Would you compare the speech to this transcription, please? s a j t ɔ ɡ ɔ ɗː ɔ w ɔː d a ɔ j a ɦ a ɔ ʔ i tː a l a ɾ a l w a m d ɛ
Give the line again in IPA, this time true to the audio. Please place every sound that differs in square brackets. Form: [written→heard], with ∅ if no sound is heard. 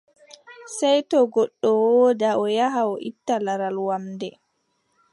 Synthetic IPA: s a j t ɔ ɡ ɔ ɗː ɔ w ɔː d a ɔ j a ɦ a ɔ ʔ i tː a l a ɾ a l w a m d ɛ